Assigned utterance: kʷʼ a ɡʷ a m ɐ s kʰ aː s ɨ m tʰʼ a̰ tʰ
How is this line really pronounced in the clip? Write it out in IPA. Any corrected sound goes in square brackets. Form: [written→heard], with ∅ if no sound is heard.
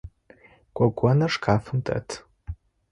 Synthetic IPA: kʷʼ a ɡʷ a [m→n] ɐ [s→ʂ] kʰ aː [s→f] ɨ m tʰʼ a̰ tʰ